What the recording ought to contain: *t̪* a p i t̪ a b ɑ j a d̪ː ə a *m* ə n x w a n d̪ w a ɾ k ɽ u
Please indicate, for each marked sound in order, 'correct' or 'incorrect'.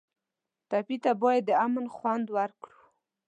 correct, correct

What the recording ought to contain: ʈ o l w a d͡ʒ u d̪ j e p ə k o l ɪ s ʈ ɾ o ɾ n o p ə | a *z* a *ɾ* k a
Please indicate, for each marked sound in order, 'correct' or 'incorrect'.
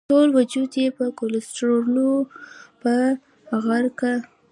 incorrect, correct

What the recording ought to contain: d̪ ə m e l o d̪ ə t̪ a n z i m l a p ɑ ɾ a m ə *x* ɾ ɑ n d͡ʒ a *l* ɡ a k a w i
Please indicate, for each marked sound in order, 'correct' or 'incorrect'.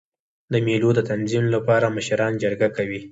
incorrect, incorrect

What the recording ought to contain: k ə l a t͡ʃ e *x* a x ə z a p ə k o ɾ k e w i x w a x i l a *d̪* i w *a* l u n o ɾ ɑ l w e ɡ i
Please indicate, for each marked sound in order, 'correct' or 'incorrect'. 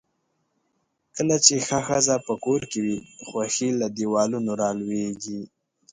correct, correct, incorrect

